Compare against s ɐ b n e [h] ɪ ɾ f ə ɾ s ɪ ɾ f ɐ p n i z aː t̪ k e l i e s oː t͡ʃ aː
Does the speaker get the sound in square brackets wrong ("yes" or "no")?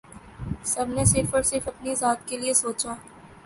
yes